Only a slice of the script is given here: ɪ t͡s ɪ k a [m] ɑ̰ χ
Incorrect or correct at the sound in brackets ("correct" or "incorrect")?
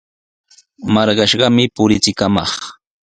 correct